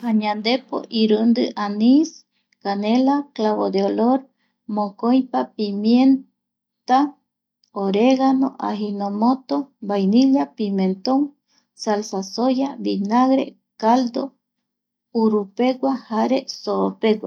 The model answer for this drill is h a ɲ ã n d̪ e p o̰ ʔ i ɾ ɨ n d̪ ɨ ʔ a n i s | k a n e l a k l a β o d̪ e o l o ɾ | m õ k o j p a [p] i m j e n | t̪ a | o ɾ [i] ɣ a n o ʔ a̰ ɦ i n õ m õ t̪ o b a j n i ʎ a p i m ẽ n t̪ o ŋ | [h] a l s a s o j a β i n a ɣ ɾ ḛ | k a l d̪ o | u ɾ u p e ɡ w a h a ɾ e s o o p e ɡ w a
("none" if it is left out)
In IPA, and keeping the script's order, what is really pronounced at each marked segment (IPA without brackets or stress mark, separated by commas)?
p, e, s